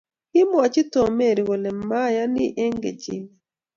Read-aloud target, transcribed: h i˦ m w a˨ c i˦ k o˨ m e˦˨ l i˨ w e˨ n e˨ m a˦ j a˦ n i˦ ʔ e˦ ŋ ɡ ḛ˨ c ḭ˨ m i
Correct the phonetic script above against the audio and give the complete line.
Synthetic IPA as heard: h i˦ m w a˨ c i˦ t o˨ m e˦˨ ɾ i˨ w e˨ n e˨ m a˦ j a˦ n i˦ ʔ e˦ ŋ ɡ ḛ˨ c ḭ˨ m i